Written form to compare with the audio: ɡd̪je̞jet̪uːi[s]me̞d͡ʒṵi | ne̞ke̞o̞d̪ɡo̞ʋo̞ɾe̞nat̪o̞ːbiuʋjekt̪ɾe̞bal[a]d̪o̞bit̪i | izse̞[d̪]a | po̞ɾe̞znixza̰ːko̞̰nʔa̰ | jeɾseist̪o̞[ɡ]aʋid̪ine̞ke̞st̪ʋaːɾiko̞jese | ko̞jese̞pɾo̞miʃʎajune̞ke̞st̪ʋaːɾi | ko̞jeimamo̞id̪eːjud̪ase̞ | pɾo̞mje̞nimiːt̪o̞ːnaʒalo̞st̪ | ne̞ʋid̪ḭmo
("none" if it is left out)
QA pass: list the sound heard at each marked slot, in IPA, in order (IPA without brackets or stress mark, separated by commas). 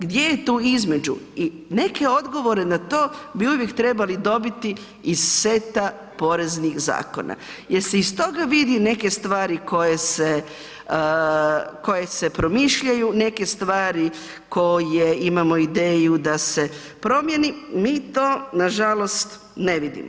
z, i, t̪, ɡ